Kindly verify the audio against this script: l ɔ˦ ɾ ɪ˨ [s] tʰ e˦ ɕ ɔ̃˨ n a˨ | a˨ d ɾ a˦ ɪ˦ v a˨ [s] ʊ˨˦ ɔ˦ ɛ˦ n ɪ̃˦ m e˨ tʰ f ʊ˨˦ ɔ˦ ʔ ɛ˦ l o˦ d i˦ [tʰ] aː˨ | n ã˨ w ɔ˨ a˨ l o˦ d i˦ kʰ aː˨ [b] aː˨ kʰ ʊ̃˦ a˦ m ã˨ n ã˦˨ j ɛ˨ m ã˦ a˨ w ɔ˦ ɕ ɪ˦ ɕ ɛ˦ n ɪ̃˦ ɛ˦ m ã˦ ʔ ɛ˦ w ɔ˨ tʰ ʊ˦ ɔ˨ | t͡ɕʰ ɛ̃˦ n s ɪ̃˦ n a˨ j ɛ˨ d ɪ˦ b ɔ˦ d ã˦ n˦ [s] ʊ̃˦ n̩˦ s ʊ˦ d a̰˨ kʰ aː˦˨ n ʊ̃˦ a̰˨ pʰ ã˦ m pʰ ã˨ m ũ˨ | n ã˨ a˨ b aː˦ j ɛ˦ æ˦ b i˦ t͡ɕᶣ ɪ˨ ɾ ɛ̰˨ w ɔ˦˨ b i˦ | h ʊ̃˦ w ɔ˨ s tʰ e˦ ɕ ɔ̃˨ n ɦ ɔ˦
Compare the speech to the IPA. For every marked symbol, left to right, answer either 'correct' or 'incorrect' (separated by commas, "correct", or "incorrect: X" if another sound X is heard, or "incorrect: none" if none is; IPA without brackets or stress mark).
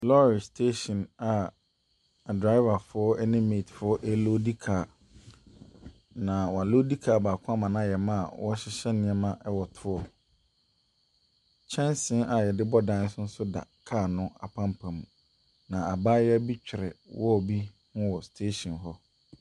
correct, incorrect: f, incorrect: kʰ, correct, correct